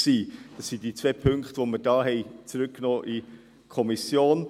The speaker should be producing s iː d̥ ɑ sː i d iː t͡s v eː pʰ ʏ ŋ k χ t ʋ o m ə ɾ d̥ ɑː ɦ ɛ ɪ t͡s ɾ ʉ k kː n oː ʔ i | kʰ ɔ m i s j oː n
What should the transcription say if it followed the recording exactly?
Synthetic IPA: s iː d̥ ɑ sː i d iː t͡s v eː pʰ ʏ ŋ k χ t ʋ o m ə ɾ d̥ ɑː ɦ ɛ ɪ t͡s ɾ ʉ k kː n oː ʔ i | kʰ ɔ m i s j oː n